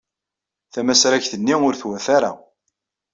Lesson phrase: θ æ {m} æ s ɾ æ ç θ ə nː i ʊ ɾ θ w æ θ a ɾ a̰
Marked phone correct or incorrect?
correct